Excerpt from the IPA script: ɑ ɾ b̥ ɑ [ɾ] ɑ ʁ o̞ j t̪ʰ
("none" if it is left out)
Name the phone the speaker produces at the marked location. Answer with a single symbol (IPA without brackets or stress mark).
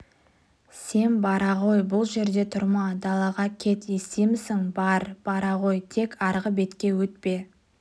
ɾ